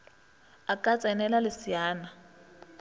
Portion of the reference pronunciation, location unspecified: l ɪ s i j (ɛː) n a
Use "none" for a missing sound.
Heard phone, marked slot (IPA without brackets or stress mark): aː